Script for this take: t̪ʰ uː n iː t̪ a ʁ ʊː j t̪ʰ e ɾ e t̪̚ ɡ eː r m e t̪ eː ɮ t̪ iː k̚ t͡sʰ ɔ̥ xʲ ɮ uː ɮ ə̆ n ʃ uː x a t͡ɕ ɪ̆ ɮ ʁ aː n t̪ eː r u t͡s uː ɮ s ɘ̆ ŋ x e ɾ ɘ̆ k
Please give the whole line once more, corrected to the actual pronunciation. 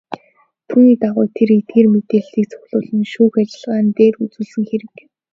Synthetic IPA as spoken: t̪ʰ uː n iː t̪ a ʁ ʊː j t̪ʰ e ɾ e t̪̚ ɡ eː r m e t̪ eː ɮ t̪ iː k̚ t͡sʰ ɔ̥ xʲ ɮ ʊː ɮ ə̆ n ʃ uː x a t͡ɕ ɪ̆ ɮ ʁ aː n t̪ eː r u t͡s uː ɮ s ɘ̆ ŋ x e ɾ ɘ̆ k